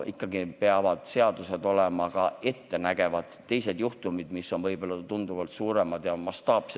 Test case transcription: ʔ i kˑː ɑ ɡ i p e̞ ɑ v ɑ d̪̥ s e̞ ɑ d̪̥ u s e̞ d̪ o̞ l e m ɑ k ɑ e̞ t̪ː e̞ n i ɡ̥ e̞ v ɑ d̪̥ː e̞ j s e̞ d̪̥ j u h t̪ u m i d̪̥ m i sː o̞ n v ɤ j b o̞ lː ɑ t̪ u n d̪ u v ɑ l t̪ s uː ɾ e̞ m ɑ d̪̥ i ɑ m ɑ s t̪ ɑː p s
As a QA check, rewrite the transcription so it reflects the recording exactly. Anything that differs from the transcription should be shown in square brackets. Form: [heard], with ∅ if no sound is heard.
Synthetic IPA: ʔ i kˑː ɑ ɡ i p e̞ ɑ v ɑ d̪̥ s e̞ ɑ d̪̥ u s e̞ d̪ o̞ l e m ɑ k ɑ e̞ t̪ː e̞ n [æ] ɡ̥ e̞ v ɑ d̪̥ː e̞ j s e̞ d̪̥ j u h t̪ u m i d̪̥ m i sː o̞ n v ɤ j b o̞ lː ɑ t̪ u n d̪ u v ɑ l t̪ s uː ɾ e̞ m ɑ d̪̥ [j] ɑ m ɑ s t̪ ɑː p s